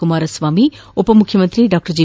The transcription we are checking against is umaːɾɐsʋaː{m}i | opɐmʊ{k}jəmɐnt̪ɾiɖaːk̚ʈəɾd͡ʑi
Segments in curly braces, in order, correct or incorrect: correct, incorrect: kʰ

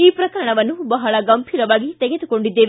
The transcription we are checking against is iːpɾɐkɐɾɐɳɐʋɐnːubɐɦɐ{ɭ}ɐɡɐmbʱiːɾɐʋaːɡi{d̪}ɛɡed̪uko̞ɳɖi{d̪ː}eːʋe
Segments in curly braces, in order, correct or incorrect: correct, incorrect: t̪, correct

